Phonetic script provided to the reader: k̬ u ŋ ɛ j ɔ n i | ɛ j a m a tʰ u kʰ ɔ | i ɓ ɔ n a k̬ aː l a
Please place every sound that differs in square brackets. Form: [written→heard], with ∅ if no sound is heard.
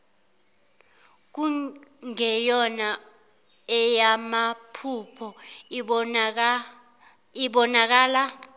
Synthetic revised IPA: k̬ u ŋ ɛ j ɔ n [i→a] | ɛ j a m a [tʰ→pʰ] u [kʰ→pʰ] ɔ | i ɓ ɔ n a k̬ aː l a